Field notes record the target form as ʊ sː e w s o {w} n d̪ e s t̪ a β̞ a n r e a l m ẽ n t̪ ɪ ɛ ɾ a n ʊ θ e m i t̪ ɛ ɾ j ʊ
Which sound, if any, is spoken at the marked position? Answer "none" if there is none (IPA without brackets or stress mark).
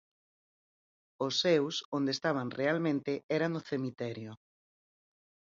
none